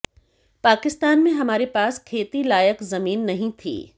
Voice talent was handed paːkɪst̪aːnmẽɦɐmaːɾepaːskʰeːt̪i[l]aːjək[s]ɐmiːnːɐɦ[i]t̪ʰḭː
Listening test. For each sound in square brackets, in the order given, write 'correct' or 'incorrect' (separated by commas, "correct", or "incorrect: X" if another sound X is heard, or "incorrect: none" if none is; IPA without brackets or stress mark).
correct, incorrect: z, incorrect: ĩ